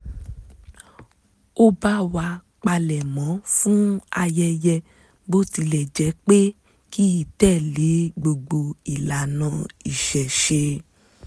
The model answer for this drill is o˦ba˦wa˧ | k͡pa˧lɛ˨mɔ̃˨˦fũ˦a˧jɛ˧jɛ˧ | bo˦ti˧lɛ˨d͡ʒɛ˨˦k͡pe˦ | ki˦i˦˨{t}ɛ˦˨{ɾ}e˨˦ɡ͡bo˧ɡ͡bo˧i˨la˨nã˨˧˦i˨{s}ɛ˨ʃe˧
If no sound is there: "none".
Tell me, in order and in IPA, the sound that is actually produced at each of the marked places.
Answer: t, l, ʃ

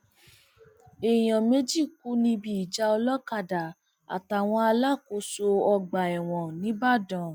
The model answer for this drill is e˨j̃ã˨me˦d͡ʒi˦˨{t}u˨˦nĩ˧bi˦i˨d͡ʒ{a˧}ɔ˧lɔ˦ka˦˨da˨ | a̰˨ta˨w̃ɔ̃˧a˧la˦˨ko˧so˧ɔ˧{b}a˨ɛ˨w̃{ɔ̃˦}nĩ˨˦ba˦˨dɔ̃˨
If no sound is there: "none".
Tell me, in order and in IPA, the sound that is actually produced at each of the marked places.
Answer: k, a˧, ɡ͡b, ɔ̃˨

